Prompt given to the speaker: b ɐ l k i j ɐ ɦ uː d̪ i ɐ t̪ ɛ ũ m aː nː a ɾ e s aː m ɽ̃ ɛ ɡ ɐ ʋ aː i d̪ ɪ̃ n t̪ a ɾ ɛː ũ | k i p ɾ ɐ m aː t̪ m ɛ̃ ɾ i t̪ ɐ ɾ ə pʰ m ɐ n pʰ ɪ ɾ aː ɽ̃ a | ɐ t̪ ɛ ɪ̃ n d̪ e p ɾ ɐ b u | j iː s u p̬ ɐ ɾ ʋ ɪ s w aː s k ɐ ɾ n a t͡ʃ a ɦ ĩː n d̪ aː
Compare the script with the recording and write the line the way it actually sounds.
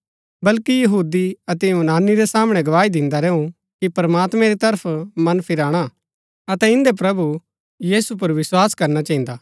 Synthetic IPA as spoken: b ɐ l k i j ɐ ɦ uː d̪ i ɐ t̪ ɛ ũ n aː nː i ɾ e s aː m ɽ̃ ɛ ɡ ɐ ʋ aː i d̪ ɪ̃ n d̪ a ɾ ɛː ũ | k i p ɾ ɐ m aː t̪ m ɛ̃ ɾ i t̪ ɐ ɾ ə pʰ m ɐ n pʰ ɪ ɾ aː ɽ̃ a | ɐ t̪ ɛ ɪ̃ n d̪ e p ɾ ɐ b u | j iː s u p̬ ɐ ɾ ʋ ɪ s w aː s k ɐ ɾ n a t͡ʃ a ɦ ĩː n d̪ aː